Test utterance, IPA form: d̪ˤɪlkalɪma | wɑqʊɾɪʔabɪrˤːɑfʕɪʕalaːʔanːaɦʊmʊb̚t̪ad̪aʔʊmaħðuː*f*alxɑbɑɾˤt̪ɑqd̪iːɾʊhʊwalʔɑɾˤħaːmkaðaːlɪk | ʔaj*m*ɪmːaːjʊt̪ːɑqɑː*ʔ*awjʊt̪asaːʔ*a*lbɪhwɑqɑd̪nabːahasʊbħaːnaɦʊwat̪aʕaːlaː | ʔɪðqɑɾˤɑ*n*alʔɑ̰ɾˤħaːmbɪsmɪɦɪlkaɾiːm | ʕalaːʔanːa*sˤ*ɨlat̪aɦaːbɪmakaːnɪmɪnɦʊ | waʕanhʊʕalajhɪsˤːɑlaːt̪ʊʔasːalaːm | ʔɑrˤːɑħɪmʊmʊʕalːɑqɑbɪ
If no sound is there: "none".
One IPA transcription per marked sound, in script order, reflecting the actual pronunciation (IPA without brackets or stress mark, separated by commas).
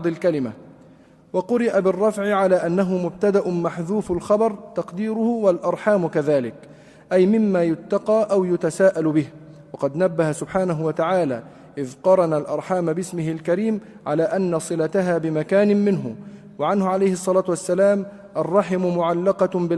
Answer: f, m, ʔ, a, n, sˤ